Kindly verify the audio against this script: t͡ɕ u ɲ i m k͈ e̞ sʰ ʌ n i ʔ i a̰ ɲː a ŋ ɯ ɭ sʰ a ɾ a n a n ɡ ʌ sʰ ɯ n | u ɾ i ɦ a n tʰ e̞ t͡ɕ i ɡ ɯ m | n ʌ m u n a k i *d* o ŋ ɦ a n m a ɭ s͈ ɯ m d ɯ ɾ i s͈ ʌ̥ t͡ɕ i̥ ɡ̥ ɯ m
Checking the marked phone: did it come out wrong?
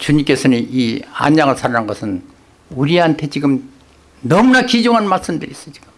yes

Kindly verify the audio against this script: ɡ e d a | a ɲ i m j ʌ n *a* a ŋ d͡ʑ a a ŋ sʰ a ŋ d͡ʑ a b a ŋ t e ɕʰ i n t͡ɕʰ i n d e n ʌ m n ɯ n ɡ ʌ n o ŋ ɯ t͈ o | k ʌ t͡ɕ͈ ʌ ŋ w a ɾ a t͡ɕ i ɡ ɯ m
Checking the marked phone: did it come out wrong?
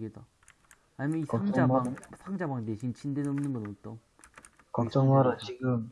yes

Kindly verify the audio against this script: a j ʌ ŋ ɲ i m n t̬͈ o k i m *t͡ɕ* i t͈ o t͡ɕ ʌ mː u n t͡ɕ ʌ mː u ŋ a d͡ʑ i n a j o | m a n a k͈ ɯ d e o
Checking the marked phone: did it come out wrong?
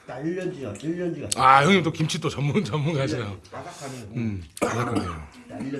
yes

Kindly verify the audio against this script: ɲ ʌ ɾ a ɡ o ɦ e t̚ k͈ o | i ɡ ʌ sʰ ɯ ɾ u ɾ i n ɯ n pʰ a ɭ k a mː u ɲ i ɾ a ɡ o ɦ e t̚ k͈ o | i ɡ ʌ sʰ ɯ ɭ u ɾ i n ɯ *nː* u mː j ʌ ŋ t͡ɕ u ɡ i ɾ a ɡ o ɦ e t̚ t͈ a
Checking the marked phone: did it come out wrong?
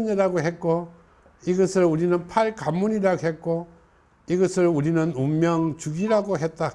yes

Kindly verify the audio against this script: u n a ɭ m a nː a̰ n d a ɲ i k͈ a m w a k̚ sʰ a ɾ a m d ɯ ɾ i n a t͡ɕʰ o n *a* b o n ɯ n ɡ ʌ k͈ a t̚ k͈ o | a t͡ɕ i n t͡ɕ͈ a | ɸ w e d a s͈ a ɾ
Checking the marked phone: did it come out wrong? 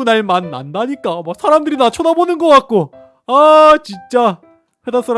no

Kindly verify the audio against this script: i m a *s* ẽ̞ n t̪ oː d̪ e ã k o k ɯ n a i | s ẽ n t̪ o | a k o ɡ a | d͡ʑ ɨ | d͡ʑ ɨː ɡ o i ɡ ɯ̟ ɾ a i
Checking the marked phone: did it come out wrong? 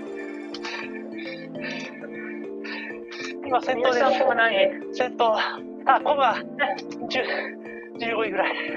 no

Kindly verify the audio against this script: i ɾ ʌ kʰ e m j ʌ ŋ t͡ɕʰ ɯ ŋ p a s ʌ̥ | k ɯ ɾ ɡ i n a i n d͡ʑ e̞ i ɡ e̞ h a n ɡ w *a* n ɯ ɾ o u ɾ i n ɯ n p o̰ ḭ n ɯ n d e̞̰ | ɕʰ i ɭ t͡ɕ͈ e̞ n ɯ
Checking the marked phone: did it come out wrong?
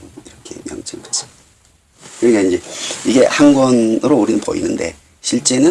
yes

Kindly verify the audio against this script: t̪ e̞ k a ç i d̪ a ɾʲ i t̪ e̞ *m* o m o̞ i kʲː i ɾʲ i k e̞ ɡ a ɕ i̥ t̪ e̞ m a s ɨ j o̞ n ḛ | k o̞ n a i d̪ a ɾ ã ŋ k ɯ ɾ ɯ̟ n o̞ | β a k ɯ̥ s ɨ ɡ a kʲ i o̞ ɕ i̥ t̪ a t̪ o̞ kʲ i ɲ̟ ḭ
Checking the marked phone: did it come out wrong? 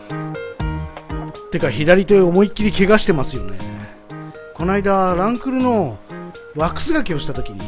yes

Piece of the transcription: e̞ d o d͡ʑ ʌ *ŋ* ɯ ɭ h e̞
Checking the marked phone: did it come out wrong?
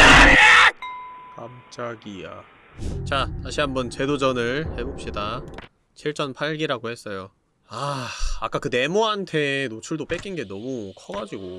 yes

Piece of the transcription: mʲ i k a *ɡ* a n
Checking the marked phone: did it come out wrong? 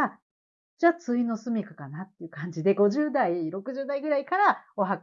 yes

